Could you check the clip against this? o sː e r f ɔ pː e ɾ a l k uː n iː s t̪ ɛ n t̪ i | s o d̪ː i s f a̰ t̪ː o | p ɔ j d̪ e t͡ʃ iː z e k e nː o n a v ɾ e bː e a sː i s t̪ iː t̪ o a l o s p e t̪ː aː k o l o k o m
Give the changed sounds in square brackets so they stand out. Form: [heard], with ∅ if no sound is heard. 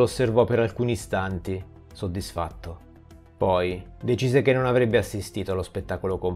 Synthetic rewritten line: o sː e r [v] ɔ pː e ɾ a l k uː n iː s t̪ [a] n t̪ i | s o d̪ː i s f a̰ t̪ː o | p ɔ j d̪ e t͡ʃ iː z e k e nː o n a v ɾ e bː e a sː i s t̪ iː t̪ o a l o s p e t̪ː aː k o l o k o m

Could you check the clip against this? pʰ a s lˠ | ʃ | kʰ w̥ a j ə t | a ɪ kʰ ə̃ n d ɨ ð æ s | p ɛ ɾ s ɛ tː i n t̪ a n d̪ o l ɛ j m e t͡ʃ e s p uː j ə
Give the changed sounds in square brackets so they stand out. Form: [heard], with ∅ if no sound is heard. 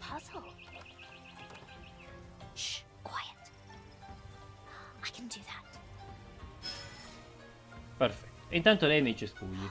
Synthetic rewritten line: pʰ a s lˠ | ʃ | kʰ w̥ a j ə t | a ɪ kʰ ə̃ n d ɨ ð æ [t] | p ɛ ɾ [f] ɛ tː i n t̪ a n [t̪] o l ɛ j m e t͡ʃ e s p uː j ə

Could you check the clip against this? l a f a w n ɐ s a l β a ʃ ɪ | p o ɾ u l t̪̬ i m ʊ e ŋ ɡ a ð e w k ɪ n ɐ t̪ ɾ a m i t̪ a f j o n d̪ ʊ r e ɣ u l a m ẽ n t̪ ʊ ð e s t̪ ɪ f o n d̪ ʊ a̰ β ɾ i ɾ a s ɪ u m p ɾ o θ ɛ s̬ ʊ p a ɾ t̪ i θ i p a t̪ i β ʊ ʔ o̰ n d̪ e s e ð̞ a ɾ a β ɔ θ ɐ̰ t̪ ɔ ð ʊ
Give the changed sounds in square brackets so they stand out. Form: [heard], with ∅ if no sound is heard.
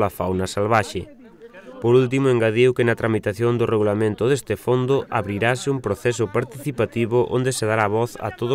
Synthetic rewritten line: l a f a w n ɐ s a l β a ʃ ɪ | p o ɾ u l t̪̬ i m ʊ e ŋ ɡ a ð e w k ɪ n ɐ t̪ ɾ a m i t̪ a [θ] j o n d̪ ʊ r e ɣ u l a m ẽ n t̪ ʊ ð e s t̪ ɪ f o n d̪ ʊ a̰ β ɾ i ɾ a s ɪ u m p ɾ o θ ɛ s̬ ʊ p a ɾ t̪ i θ i p a t̪ i β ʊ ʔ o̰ n d̪ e s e ð̞ a ɾ a β ɔ θ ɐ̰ t̪ [o] ð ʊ

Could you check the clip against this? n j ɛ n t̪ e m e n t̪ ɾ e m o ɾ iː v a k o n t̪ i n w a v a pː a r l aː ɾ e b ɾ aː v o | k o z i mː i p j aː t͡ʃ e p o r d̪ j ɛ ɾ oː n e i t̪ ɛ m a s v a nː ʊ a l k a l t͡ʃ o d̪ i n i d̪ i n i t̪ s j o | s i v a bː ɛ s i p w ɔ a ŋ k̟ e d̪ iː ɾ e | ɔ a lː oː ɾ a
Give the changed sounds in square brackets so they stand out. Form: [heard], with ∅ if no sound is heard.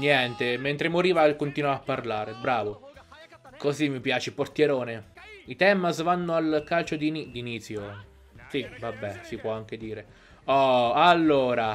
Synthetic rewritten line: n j ɛ n t̪ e m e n t̪ ɾ e m o ɾ iː v a k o n t̪ i n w a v a pː a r l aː ɾ e b ɾ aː v o | k o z i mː i p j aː t͡ʃ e p o r [t̪] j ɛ ɾ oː n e i t̪ ɛ m a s v a nː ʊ a l k a l t͡ʃ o d̪ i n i d̪ i n i t̪ s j o | s i v a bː ɛ s i p w ɔ a ŋ k̟ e d̪ iː ɾ e | ɔ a lː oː ɾ a

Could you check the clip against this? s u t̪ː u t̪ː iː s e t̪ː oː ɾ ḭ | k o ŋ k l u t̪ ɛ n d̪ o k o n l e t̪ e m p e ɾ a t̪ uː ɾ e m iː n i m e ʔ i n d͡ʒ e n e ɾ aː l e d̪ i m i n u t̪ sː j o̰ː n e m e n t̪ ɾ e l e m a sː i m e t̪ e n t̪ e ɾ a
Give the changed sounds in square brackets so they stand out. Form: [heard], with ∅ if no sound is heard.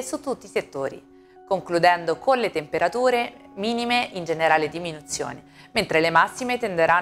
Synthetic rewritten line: s u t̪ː u t̪ː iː s e t̪ː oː ɾ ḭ | k o ŋ k l u [d̪] ɛ n d̪ o k o n l e t̪ e m p e ɾ a t̪ uː ɾ e m iː n i m e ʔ i n d͡ʒ e n e ɾ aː l e d̪ i m i n u t̪ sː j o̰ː n e m e n t̪ ɾ e l e m a sː i m e t̪ e n [d̪] e ɾ a

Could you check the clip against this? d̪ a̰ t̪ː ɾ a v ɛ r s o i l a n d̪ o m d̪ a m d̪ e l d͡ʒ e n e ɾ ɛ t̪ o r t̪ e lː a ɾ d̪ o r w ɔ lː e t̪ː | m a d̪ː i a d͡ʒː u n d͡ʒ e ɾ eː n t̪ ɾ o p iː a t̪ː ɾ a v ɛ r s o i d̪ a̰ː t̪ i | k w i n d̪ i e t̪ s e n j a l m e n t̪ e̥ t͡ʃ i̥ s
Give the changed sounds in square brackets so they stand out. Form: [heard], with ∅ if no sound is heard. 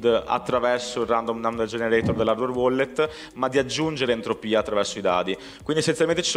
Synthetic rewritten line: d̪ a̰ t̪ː ɾ a v ɛ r s o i [r] a n d̪ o m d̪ a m d̪ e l d͡ʒ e n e ɾ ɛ t̪ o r [d̪] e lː a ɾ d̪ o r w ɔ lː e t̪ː | m a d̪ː i a d͡ʒː u n d͡ʒ e ɾ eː n t̪ ɾ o p iː a t̪ː ɾ a v ɛ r s o i d̪ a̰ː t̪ i | k w i n d̪ i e [∅] s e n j a l m e n t̪ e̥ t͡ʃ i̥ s

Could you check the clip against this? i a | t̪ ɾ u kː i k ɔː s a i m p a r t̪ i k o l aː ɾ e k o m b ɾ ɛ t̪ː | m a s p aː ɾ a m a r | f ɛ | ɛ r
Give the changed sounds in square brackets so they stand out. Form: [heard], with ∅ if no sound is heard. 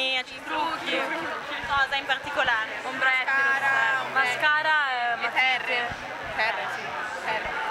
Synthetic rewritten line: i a | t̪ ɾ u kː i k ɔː [z] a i m p a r t̪ i k o l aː ɾ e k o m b ɾ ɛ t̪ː | m a s [k] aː ɾ a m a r | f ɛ | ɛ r

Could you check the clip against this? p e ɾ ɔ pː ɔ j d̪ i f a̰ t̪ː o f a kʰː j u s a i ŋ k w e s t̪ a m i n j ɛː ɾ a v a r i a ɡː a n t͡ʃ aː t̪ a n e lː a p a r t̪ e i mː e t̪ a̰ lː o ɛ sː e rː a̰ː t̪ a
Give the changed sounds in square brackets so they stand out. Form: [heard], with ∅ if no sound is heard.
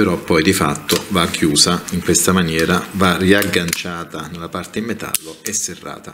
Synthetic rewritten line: p e ɾ ɔ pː ɔ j d̪ i f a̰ t̪ː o [v] a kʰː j [uː] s a i ŋ k w e s t̪ a m [a] n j ɛː ɾ a v a r i a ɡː a n t͡ʃ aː t̪ a n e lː a p a r t̪ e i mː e t̪ a̰ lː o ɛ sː e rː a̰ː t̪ a

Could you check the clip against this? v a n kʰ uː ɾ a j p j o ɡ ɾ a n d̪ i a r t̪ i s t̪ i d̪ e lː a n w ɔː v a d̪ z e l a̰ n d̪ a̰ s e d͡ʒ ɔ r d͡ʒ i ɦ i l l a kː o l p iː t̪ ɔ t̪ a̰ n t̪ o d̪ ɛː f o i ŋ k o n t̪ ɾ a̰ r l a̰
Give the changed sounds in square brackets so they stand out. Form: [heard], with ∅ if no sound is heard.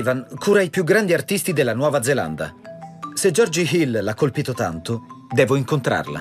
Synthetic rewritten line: v a n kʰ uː ɾ a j p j [u] ɡ ɾ a n d̪ i a r t̪ i s t̪ i d̪ e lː a n w ɔː v a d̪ z e l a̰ n d̪ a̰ s e d͡ʒ ɔ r d͡ʒ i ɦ i l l a kː o l p iː t̪ [o] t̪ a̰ n t̪ o d̪ ɛː [v] o i ŋ k o n t̪ ɾ a̰ r l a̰

